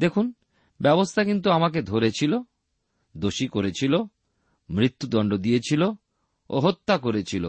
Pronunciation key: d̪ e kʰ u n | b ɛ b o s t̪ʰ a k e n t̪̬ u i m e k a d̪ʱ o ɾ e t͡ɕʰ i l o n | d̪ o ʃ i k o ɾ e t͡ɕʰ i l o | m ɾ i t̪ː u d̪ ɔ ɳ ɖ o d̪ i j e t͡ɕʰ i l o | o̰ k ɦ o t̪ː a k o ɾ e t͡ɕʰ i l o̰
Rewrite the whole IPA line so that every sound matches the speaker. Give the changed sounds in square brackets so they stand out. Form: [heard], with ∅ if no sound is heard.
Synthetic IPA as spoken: d̪ e kʰ u n | b ɛ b o s t̪ʰ a k [i] n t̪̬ u [a] m [a] k [e] d̪ʱ o ɾ e t͡ɕʰ i l o [∅] | d̪ o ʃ i k o ɾ e t͡ɕʰ i l o | m ɾ i t̪ː u d̪ ɔ ɳ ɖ o d̪ i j e t͡ɕʰ i l o | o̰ [∅] ɦ o t̪ː a k o ɾ e t͡ɕʰ i l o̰